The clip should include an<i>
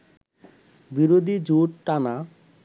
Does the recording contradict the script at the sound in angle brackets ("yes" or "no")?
yes